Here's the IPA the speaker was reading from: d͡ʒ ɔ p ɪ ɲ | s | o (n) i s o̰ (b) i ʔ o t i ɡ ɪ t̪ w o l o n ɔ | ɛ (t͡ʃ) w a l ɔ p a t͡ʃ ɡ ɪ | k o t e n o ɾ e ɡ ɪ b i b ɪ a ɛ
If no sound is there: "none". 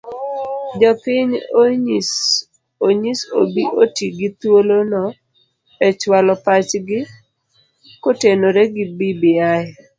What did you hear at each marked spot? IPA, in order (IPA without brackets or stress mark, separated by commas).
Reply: ɲ, b, t͡ʃ